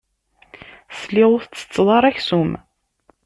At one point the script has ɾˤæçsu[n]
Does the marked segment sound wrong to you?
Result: yes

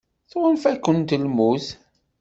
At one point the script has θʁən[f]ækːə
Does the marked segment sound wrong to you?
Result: no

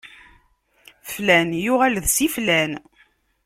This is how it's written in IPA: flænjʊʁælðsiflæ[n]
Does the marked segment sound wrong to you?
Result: no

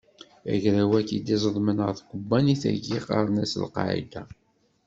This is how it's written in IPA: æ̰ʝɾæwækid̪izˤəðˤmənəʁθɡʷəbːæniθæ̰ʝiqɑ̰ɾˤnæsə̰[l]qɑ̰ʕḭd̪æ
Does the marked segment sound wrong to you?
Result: no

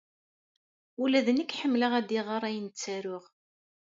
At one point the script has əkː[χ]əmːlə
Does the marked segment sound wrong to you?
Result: yes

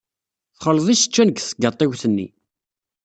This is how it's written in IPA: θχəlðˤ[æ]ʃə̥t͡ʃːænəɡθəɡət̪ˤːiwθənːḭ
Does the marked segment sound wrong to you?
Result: yes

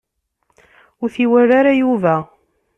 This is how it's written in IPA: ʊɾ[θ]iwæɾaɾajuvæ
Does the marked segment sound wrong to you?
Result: no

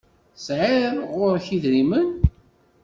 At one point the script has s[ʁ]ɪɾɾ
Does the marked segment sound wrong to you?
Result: yes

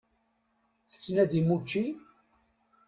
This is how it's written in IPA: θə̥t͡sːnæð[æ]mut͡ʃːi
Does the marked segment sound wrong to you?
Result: yes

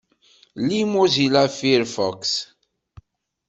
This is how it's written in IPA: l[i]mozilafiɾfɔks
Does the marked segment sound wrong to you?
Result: no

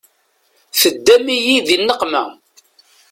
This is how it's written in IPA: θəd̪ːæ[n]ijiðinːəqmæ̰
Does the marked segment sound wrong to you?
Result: yes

